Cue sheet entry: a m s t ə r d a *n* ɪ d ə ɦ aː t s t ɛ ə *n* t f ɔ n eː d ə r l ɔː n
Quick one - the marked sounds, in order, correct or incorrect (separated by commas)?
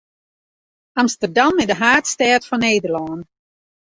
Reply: incorrect, incorrect